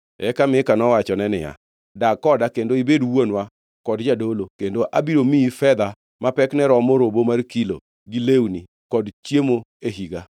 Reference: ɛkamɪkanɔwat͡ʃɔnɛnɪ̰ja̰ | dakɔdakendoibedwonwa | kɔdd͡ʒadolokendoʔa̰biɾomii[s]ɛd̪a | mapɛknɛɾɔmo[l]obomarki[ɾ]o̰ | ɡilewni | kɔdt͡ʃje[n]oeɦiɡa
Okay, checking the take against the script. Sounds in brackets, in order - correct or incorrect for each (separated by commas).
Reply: incorrect, incorrect, incorrect, incorrect